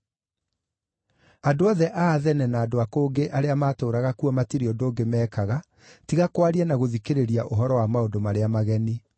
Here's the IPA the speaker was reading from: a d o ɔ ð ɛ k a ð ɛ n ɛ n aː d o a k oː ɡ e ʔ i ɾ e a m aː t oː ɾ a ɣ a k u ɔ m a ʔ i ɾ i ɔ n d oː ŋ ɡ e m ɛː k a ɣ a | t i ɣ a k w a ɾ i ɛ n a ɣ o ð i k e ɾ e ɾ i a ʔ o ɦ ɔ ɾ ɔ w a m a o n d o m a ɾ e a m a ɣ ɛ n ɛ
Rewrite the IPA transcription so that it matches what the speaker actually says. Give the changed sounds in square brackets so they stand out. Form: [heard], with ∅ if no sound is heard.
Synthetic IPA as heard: a d o ɔ ð ɛ [ʔ] a ð ɛ n ɛ n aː d o a k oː ɡ e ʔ [a] ɾ e a m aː t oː ɾ a ɣ a k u ɔ m a [t] i ɾ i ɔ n d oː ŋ ɡ e m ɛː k a ɣ a | t i ɣ a k w a ɾ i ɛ n a ɣ o ð i k e ɾ e ɾ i a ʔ o ɦ ɔ ɾ ɔ w a m a o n d o m a ɾ e a m a ɣ ɛ n [i]

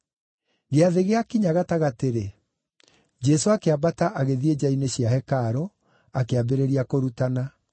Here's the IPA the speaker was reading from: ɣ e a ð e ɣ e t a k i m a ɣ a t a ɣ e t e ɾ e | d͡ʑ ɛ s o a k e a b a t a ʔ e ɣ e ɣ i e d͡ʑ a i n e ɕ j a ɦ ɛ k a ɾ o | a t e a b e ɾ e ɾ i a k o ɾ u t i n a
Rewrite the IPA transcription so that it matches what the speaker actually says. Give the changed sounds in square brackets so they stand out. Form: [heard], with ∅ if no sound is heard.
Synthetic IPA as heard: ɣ e a ð e ɣ e [∅] a k i [ɲ] a ɣ a t a ɣ [a] t e ɾ e | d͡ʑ ɛ s o a k e a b a t a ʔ [a] ɣ e [ð] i e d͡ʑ a i n e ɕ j a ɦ ɛ k a ɾ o | a [k] e a b e ɾ e ɾ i a k o ɾ u t [a] n a

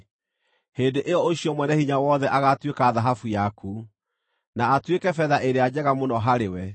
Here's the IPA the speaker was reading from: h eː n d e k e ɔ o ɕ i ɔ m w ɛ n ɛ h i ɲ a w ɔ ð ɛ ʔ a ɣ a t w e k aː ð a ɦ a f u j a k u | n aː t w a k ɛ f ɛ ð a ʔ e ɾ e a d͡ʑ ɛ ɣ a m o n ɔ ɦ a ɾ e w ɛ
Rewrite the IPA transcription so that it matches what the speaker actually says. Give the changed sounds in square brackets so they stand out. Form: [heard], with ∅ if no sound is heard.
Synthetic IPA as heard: h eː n d e [ʔ] e ɔ o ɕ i ɔ m w ɛ n ɛ h i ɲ a w ɔ ð ɛ ʔ a ɣ a t w e k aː ð a ɦ a f u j a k u | n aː t w [e] k ɛ f ɛ ð a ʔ e ɾ e a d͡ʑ ɛ ɣ a m o n ɔ ɦ a ɾ e w ɛ

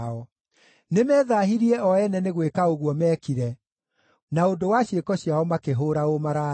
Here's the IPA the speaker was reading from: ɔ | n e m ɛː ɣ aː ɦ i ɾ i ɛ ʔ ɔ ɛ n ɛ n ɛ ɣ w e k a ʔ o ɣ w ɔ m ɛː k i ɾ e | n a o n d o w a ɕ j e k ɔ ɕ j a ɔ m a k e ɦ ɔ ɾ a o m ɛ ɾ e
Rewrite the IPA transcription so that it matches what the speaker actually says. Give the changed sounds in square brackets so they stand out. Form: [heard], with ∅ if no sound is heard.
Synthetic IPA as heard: ɔ | n e m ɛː [ð] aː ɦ i ɾ i ɛ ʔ ɔ ɛ n ɛ n [e] ɣ w e k a [∅] o ɣ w ɔ m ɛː k i ɾ [ɛ] | n a o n d o w a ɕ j e k ɔ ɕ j a ɔ m a k e ɦ [o] ɾ a o m [a] ɾ [a]

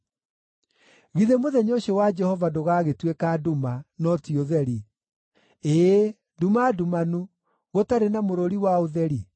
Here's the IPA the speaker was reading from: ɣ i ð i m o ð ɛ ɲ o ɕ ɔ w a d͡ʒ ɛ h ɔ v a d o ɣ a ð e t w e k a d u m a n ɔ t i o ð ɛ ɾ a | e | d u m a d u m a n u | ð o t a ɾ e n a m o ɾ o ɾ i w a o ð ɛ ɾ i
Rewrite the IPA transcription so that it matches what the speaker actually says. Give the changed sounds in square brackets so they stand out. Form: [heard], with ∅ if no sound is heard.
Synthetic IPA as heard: ɣ i ð [e] m o ð ɛ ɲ o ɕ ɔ w a d͡ʒ ɛ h ɔ v a d o ɣ a [ɣ] e t w e k a d u m a n ɔ t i o ð ɛ ɾ [i] | e | d u m a d u m a n u | [ɣ] o t a ɾ e n a m o ɾ o ɾ i w a o ð ɛ ɾ i

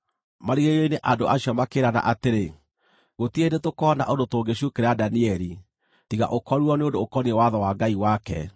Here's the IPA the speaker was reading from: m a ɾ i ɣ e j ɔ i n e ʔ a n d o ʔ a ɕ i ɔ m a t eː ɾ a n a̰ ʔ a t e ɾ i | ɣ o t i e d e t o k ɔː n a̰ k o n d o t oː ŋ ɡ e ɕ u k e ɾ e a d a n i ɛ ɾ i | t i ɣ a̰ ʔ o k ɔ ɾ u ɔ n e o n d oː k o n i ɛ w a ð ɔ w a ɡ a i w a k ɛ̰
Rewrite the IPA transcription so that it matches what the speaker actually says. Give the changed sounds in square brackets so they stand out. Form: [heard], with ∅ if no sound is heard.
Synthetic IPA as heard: m a ɾ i ɣ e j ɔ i n e ʔ a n d o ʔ a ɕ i ɔ m a [k] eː ɾ a n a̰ ʔ a t e ɾ [e] | ɣ o t i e d e t o k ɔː n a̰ [ʔ] o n d o t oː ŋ ɡ e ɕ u k e ɾ e a d a n i ɛ ɾ i | t i ɣ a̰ ʔ o k ɔ ɾ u ɔ n e o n d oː k [ɔ] n i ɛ w a ð ɔ w a ɡ a i w a k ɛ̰

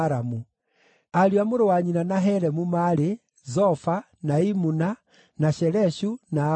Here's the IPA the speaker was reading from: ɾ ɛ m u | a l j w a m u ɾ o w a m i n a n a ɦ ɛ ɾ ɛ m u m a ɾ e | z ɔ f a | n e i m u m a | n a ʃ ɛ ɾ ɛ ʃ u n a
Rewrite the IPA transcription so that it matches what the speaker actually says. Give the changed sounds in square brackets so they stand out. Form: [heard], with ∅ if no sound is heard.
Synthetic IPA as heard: ɾ [a] m u | a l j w a m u ɾ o w a [ɲ] i n a n a ɦ ɛ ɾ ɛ m u m a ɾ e | z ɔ f a | n [a] i m u [n] a | n a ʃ ɛ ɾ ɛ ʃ u n a

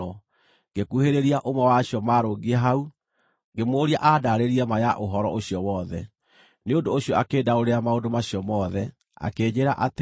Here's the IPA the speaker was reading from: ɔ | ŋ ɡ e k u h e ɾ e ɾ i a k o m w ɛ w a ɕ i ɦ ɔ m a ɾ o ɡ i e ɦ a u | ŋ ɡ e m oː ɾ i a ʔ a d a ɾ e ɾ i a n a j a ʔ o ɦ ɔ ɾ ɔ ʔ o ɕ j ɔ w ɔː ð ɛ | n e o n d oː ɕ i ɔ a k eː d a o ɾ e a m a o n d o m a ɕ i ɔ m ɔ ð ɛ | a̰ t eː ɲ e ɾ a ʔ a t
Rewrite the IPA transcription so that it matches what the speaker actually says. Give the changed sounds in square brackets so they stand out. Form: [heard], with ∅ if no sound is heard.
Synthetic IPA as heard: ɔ | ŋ ɡ e k u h e ɾ e ɾ i a [ʔ] o m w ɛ w a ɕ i [∅] ɔ m a ɾ o ɡ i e ɦ a u | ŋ ɡ e m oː ɾ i a ʔ a d a ɾ e ɾ i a [m] a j a ʔ o ɦ ɔ ɾ ɔ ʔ o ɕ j ɔ w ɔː ð ɛ | n e o n d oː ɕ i ɔ a k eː d a o ɾ e a m a o n d o m a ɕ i ɔ m ɔ ð ɛ | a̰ [k] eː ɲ e ɾ a ʔ a t

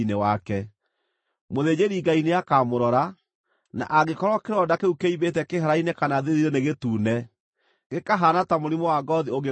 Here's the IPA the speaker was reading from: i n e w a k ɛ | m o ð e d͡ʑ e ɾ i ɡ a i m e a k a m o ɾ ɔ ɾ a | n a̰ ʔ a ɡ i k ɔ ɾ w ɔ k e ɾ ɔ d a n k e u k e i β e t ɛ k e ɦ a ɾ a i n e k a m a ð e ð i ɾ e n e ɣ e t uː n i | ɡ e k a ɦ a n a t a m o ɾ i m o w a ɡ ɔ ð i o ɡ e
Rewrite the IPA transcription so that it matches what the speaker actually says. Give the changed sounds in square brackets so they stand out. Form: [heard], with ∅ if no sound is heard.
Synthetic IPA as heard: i n e w a k ɛ | m o ð e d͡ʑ e ɾ i ɡ a i [n] e a k a m o ɾ ɔ ɾ a | n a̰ ʔ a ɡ [e] k ɔ ɾ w ɔ k e ɾ ɔ d a [∅] k e u k e i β e t ɛ k e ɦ a ɾ a i n e k a [n] a ð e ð i ɾ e n e ɣ e t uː n [ɛ] | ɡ e k a ɦ a n a t a m o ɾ i m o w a ɡ ɔ ð i o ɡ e

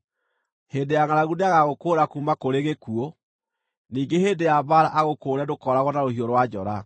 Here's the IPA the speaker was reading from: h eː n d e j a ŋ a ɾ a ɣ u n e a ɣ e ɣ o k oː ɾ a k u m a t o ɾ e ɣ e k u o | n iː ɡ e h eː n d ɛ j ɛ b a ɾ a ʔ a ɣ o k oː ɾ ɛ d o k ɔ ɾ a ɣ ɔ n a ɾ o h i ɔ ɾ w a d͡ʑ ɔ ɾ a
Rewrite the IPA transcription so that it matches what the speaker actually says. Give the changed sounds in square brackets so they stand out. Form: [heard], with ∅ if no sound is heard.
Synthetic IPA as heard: h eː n d e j a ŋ a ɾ a ɣ u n e a ɣ [a] ɣ o k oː ɾ a k u m a [k] o ɾ e ɣ e k u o | n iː ɡ e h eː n d [e] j [a] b a ɾ a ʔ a ɣ o k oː ɾ ɛ d o k ɔ ɾ a ɣ ɔ n a ɾ o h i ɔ ɾ w a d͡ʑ ɔ ɾ a

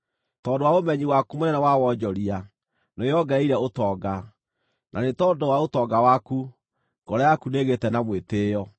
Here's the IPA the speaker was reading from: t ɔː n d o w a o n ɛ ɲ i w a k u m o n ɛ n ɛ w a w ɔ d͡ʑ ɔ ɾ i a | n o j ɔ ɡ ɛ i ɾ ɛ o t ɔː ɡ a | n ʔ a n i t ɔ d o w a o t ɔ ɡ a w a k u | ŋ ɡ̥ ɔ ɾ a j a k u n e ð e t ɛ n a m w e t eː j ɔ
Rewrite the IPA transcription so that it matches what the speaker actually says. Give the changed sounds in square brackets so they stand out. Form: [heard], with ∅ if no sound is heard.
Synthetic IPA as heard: t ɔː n d o w a o [m] ɛ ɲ i w a k u m o n ɛ n ɛ w a w ɔ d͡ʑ ɔ ɾ i a | n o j ɔ ɡ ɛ i ɾ ɛ o t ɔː ɡ a | n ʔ a n [e] t ɔ d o w a o t ɔ ɡ a w a k u | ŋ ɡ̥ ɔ ɾ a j a k u n e [ɣ] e t ɛ n a m w e t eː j ɔ

